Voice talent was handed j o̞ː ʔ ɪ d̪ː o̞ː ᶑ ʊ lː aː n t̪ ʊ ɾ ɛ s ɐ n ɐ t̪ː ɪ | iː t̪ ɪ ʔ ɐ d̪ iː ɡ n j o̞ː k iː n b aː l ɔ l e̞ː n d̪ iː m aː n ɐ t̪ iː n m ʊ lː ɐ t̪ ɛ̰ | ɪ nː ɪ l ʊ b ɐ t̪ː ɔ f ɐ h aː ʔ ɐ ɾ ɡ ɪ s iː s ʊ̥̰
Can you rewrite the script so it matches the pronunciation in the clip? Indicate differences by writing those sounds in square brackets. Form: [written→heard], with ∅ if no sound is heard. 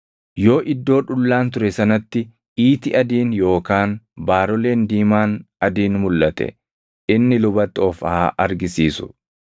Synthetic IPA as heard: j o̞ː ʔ ɪ d̪ː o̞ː ᶑ ʊ lː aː n t̪ ʊ ɾ ɛ s ɐ n ɐ t̪ː ɪ | iː t̪ ɪ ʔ ɐ d̪ iː [ɡ→∅] n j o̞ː k [iː→aː] n b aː [l→ɾ] ɔ l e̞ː n d̪ iː m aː n ɐ [t̪→d̪] iː n m ʊ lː ɐ t̪ ɛ̰ | ɪ nː ɪ l ʊ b ɐ t̪ː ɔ f ɐ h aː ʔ ɐ ɾ ɡ ɪ s iː s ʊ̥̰